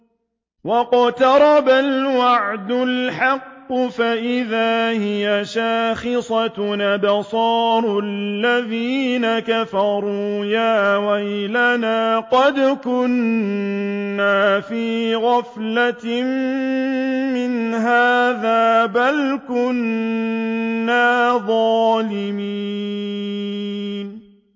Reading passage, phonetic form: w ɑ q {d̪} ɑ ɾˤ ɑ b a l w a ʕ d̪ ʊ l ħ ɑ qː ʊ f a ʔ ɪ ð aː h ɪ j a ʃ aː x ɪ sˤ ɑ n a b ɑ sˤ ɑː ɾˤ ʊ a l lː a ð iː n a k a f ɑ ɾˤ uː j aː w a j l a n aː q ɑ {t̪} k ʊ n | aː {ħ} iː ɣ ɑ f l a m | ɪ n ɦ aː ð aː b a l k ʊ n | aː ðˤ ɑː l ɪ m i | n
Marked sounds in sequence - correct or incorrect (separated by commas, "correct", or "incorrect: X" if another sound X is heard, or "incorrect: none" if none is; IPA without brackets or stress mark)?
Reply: incorrect: t̪, incorrect: d̪, incorrect: f